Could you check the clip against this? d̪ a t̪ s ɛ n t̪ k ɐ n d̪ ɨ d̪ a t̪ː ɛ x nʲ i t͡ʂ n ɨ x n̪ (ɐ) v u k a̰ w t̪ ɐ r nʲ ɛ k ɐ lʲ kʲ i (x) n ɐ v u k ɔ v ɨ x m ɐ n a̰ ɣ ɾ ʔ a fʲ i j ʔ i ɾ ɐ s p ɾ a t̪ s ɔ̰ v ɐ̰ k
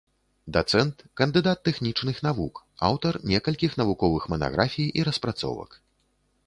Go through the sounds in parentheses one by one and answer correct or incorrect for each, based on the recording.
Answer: incorrect: a, correct

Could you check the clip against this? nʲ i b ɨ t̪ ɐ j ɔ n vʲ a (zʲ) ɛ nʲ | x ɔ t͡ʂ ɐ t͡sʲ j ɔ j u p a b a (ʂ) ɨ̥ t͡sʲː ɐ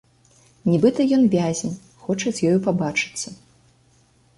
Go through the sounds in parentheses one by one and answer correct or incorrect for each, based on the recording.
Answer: correct, incorrect: t͡ʂ

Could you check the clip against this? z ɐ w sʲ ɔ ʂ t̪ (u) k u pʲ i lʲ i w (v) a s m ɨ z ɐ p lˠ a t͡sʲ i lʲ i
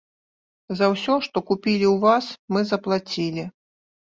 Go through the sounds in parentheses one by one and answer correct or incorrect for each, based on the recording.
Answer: incorrect: ɔ, correct

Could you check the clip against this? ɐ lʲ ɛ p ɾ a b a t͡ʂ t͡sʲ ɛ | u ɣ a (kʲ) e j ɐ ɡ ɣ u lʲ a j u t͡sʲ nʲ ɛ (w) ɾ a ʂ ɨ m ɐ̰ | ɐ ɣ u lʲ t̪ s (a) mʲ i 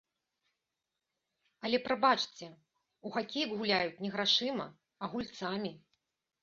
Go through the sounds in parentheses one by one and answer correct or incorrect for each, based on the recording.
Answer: correct, incorrect: ɣ, correct

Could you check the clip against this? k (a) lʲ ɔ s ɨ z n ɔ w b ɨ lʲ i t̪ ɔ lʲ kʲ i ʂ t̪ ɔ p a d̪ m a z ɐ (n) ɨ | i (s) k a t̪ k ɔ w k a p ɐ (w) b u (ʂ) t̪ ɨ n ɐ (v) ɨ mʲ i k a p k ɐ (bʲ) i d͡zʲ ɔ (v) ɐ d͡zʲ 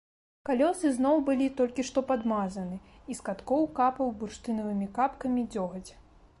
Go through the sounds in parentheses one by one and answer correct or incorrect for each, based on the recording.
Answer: correct, correct, correct, correct, correct, correct, incorrect: mʲ, incorrect: ɣ

